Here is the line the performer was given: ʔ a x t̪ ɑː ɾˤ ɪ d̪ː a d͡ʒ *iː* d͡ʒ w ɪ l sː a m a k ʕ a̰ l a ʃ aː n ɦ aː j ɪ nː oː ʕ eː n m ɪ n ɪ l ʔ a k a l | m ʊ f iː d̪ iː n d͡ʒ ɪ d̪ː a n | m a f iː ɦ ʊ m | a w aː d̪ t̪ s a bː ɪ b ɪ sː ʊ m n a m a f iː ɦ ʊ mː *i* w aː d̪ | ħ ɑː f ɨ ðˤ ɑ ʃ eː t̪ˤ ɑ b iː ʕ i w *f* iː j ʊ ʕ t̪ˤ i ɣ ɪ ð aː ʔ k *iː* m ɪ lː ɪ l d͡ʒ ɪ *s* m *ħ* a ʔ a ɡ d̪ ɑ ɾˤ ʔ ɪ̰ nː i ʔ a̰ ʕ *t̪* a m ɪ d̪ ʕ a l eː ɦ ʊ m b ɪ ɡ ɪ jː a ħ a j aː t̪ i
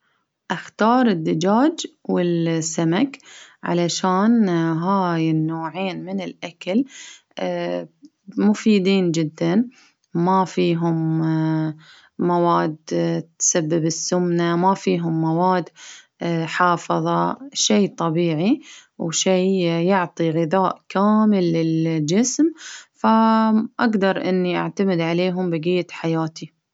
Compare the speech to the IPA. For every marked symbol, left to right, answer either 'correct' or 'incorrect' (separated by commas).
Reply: incorrect, incorrect, incorrect, incorrect, correct, incorrect, correct